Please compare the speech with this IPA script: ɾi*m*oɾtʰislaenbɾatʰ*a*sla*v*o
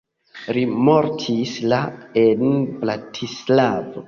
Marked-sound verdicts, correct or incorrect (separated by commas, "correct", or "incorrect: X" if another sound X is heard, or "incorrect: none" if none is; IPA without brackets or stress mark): correct, incorrect: i, correct